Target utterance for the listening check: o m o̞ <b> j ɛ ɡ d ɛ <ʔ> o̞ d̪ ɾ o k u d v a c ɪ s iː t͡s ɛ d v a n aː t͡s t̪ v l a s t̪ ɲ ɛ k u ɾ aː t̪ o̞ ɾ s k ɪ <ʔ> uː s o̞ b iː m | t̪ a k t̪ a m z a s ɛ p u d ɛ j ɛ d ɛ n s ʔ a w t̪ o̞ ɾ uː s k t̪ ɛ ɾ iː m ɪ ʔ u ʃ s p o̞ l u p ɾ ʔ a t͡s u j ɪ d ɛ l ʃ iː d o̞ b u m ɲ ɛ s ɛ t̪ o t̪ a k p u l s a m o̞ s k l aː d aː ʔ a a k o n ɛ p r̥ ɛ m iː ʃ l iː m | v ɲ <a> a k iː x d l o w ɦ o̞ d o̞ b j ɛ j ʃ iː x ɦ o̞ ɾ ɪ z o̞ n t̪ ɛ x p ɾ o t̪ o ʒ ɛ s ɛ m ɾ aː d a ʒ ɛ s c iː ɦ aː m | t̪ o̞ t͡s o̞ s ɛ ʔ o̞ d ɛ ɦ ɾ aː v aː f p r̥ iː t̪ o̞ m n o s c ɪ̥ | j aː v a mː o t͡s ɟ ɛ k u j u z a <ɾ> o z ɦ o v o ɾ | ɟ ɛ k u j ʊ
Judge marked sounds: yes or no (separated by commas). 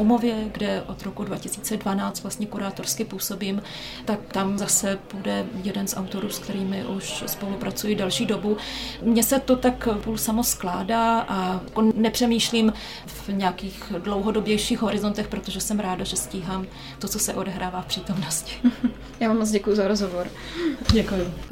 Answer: no, yes, no, no, yes